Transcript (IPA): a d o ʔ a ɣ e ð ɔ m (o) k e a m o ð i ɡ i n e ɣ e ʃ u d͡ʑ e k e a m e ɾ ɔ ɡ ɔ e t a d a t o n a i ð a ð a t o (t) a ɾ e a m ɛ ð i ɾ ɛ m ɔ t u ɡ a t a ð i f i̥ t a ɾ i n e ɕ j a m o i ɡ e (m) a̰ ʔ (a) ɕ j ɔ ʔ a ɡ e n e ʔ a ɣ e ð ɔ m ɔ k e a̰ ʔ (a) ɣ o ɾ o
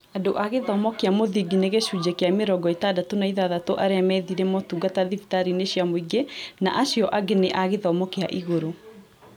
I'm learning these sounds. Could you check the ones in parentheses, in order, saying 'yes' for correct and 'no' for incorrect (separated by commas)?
no, no, no, yes, no